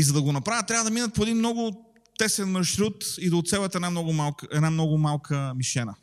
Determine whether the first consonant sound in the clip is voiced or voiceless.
voiced